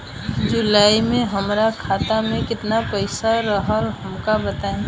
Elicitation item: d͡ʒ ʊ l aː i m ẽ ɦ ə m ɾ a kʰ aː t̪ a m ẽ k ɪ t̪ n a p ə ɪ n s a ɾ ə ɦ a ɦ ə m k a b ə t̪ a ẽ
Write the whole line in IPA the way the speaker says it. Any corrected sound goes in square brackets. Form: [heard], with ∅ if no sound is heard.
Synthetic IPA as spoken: d͡ʒ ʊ l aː i m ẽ ɦ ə m ɾ a kʰ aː t̪ a m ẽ k ɪ t̪ n a p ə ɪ [∅] s a ɾ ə ɦ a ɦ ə m k a b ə t̪ a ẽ